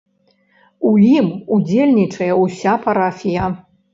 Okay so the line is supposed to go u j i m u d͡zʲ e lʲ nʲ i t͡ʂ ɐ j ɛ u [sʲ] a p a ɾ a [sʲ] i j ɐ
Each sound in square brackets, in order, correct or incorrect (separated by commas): correct, incorrect